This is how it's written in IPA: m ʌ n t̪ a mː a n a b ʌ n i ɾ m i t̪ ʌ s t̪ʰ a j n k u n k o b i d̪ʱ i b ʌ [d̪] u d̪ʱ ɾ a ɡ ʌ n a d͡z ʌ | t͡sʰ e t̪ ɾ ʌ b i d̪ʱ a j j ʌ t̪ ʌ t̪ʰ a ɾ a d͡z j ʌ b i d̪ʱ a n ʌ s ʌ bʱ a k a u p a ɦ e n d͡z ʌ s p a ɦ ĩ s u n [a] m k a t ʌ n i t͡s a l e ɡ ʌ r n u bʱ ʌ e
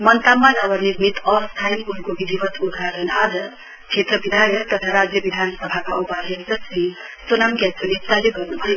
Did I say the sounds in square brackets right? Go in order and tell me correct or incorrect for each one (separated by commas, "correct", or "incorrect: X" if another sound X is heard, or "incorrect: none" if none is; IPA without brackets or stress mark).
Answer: incorrect: t̪, correct